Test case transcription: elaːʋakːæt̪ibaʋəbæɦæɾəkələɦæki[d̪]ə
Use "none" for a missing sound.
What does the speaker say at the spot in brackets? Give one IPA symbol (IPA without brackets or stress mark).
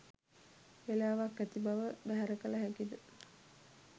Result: d̪